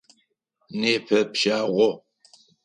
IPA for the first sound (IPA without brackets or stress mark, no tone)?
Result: n